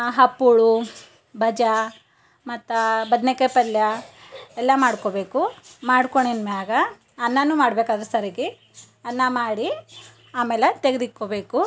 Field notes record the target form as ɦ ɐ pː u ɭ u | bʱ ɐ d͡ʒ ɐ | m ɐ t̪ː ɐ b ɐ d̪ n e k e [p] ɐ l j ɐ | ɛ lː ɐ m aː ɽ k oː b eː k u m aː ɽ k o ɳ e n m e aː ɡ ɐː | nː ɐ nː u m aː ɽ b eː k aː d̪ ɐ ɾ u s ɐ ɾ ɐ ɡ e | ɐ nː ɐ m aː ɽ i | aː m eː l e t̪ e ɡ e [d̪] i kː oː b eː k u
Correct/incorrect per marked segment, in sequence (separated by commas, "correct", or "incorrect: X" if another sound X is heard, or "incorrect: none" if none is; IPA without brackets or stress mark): correct, correct